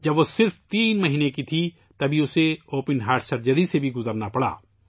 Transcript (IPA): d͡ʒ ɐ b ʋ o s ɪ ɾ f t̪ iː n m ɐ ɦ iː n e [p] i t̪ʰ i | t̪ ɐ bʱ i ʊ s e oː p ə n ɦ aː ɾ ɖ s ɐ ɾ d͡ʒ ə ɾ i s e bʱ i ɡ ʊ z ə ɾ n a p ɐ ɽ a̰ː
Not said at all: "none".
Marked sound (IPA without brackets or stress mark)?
k